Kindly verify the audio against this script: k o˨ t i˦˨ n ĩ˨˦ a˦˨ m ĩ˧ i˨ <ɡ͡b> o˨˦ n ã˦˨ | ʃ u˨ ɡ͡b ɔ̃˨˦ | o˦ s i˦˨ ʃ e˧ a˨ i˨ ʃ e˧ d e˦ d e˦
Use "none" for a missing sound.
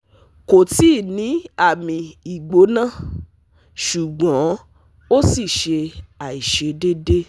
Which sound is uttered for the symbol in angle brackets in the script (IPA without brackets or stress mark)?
ɡ͡b